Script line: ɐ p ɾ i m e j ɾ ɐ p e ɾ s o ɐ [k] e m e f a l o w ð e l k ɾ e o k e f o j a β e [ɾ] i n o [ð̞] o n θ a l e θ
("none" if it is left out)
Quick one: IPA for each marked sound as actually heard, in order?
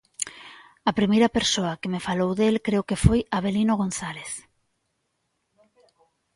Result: k, l, ɣ̞

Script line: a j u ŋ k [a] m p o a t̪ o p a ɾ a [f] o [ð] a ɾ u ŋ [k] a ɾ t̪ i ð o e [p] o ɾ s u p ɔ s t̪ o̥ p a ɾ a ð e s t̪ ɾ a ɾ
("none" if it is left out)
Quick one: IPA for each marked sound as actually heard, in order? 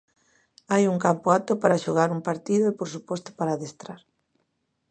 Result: a, ʃ, ɣ, p, p

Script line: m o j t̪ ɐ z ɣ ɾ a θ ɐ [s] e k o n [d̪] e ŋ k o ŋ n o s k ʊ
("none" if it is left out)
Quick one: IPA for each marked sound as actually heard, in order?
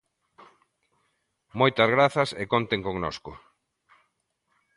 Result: s, t̪

